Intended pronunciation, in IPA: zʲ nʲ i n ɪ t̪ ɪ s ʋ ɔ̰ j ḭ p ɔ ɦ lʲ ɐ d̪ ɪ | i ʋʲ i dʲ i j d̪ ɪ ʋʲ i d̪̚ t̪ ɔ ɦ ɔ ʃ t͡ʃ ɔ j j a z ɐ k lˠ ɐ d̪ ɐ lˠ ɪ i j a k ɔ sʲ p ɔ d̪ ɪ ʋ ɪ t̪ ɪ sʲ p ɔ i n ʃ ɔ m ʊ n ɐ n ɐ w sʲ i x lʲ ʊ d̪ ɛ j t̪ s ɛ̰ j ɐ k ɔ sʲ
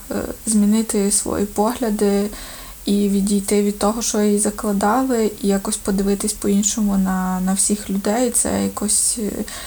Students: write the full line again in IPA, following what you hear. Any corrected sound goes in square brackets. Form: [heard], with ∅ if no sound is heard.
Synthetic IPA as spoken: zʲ [mʲ] i n ɪ t̪ ɪ s ʋ ɔ̰ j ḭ p ɔ ɦ lʲ ɐ d̪ ɪ | i ʋʲ i dʲ i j [t̪] ɪ ʋʲ i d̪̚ t̪ ɔ ɦ ɔ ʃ t͡ʃ ɔ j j [i] z ɐ k lˠ ɐ d̪ [ɑ] lˠ ɪ i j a k ɔ sʲ p ɔ d̪ ɪ ʋ ɪ t̪ ɪ sʲ p ɔ i n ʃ ɔ m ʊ n ɐ n ɐ w sʲ i x lʲ ʊ d̪ ɛ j t̪ s ɛ̰ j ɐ k ɔ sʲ